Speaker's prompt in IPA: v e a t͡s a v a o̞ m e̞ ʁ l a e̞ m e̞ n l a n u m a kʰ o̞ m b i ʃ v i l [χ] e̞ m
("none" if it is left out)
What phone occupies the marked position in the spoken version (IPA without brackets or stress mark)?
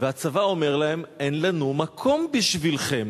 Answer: χ